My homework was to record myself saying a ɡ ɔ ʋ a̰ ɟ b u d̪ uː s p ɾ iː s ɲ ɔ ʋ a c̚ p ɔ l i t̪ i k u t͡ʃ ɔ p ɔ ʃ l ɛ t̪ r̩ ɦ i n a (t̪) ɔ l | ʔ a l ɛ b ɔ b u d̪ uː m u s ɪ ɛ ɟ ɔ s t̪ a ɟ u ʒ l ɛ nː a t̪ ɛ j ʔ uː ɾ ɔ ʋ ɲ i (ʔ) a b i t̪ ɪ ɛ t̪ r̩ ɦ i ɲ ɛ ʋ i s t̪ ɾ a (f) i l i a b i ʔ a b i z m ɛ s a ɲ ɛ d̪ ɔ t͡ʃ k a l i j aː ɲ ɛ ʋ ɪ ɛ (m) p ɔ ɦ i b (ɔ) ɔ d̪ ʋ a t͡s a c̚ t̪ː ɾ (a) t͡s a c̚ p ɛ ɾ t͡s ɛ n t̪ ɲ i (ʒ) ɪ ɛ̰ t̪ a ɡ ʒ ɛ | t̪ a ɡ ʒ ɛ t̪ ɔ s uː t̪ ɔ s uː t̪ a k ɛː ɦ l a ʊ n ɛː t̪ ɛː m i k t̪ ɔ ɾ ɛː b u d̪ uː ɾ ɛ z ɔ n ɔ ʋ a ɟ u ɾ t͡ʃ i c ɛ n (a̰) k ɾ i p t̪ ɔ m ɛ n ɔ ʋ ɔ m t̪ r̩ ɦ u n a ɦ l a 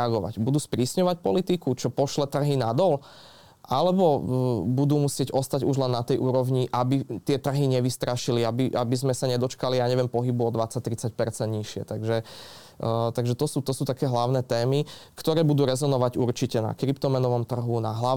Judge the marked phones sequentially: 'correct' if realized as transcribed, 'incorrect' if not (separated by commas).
incorrect, correct, incorrect, correct, incorrect, incorrect, incorrect, correct